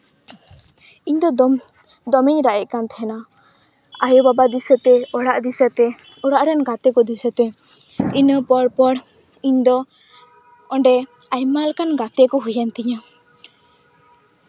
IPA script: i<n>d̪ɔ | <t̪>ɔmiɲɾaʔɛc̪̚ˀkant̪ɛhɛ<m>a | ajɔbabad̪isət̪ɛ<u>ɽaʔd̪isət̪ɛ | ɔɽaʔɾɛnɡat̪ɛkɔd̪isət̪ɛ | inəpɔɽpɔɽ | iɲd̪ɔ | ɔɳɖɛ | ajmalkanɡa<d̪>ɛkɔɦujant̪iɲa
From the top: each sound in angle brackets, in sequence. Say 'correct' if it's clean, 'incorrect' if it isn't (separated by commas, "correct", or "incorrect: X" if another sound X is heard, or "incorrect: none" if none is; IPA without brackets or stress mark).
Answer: incorrect: ɲ, incorrect: d̪, incorrect: n, incorrect: ɔ, incorrect: t̪